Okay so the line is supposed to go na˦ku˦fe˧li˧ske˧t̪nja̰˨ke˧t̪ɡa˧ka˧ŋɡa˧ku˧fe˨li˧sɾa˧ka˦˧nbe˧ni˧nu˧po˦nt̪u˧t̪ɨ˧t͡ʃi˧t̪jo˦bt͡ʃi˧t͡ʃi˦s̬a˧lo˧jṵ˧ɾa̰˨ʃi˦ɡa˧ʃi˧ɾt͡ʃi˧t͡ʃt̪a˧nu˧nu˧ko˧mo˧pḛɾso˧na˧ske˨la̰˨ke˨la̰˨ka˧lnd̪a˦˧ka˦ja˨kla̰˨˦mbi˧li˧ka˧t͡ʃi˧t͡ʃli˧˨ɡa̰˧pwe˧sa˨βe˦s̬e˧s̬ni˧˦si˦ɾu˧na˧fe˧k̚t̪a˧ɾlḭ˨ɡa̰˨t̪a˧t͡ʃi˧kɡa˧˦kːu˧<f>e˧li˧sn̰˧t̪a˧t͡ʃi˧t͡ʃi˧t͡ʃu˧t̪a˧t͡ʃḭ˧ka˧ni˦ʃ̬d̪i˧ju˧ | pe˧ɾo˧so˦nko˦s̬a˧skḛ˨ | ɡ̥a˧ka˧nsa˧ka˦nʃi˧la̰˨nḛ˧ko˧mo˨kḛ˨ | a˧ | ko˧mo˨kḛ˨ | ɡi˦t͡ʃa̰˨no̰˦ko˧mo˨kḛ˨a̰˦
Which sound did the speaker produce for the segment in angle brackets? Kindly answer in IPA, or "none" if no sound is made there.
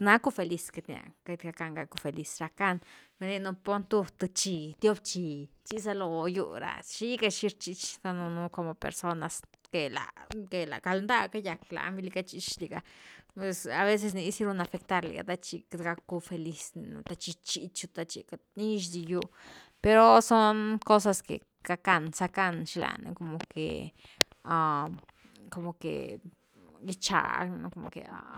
f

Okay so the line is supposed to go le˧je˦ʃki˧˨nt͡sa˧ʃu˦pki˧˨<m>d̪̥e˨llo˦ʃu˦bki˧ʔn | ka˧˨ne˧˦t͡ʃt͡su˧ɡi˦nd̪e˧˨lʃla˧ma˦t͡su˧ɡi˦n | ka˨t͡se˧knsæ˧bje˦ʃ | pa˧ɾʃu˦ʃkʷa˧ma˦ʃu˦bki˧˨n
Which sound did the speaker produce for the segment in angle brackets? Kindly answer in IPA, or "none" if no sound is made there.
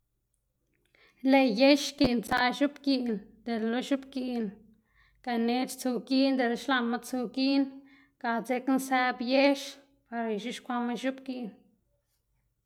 n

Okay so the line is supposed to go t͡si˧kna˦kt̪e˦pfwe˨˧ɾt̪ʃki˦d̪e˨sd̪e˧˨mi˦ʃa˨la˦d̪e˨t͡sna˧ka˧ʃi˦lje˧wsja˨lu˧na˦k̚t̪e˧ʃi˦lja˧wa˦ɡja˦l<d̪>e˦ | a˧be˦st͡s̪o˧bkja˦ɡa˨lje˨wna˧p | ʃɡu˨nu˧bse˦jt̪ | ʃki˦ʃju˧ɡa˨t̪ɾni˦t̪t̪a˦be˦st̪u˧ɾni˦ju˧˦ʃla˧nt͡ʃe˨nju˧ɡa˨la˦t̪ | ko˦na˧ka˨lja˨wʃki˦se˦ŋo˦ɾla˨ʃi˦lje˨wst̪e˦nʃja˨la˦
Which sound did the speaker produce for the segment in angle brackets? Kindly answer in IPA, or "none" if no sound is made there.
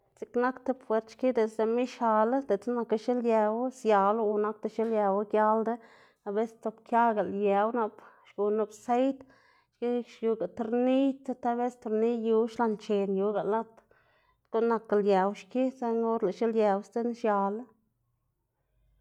d̪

